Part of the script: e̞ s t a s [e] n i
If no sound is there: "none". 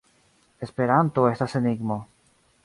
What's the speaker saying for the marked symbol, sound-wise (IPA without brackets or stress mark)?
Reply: e